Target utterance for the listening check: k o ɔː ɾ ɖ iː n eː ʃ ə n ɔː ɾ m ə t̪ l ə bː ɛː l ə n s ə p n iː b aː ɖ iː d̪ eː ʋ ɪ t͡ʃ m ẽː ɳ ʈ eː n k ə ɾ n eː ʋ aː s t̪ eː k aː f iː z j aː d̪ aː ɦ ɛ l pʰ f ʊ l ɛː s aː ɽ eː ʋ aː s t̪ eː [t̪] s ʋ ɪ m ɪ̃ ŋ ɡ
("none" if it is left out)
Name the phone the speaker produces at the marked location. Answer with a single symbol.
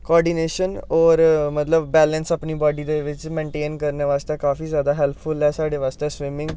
none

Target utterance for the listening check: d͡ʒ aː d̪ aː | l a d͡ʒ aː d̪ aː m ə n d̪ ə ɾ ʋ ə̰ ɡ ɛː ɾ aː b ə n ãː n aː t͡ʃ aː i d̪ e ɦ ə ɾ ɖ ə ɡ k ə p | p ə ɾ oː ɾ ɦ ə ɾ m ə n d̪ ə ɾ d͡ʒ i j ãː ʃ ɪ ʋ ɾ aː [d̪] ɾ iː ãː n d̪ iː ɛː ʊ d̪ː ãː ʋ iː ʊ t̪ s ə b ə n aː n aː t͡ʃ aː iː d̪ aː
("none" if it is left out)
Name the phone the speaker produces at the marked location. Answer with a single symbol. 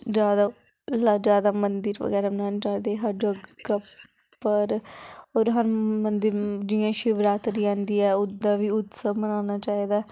t̪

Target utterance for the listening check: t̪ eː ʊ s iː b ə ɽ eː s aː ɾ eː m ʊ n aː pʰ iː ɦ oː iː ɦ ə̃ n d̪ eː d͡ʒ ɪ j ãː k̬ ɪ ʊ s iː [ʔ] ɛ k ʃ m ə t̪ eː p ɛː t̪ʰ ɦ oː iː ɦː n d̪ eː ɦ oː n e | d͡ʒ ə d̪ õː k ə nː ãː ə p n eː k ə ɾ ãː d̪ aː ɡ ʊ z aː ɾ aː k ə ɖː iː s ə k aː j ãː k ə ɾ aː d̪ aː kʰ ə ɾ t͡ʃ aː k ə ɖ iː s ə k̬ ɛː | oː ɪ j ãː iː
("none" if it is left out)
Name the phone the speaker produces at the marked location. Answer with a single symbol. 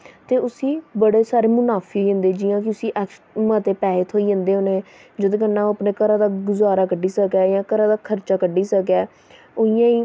ʔ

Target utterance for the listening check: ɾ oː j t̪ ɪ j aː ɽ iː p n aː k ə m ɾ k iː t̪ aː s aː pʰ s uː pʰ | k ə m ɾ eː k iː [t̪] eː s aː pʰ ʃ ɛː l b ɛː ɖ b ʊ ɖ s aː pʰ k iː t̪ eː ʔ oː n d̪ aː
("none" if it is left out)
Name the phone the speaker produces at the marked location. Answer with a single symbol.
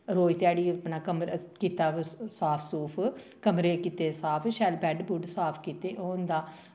t̪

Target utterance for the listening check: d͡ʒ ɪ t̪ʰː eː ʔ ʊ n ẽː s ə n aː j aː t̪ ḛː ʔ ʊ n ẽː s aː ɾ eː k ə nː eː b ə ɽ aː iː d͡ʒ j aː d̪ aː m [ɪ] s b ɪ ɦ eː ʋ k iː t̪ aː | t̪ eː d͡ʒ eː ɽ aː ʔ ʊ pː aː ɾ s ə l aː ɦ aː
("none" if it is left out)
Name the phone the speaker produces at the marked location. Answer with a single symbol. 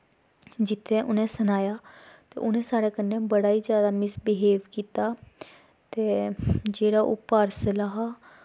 ɪ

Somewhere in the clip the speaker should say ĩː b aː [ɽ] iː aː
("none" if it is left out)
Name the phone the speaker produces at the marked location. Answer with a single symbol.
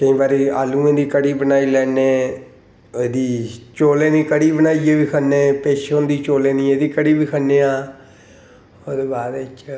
ɾ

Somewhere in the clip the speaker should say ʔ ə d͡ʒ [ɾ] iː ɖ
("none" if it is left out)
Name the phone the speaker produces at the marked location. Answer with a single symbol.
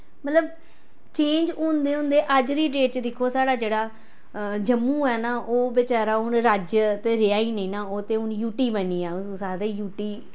ɾ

